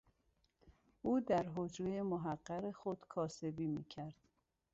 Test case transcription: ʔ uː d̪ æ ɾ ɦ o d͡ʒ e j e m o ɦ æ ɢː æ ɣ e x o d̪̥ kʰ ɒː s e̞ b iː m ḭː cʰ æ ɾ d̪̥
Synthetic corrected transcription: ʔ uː d̪ æ ɾ ɦ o d͡ʒ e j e m o ɦ æ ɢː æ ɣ e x o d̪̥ kʰ ɒː s e̞ b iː m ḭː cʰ æ ɾ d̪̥